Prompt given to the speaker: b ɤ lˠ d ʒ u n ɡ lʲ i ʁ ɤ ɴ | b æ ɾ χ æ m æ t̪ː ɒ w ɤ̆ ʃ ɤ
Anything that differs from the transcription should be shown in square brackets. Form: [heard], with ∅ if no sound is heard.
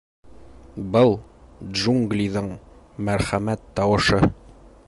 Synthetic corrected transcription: b ɤ lˠ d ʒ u [ŋ] ɡ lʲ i [ð] ɤ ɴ | [m] æ ɾ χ æ m æ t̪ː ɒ w ɤ̆ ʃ ɤ